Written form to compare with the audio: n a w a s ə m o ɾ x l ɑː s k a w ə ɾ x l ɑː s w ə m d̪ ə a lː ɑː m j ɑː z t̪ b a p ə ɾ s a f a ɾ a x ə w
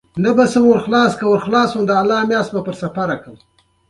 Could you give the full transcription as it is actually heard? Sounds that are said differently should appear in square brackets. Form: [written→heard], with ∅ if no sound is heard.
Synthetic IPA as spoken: n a [w→b] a s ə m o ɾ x l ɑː s k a w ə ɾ x l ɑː s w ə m d̪ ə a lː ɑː m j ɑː [z→s] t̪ b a p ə ɾ s a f a ɾ a [x→k] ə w